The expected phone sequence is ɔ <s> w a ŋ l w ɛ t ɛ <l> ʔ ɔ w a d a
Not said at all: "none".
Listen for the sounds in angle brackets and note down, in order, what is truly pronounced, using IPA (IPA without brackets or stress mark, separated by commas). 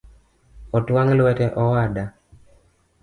t, none